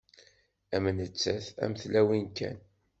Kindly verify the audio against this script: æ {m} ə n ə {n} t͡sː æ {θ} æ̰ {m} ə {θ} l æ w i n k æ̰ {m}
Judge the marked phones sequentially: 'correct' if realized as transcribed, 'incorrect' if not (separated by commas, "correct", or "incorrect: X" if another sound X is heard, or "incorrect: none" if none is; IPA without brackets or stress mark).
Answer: correct, incorrect: none, correct, correct, correct, incorrect: n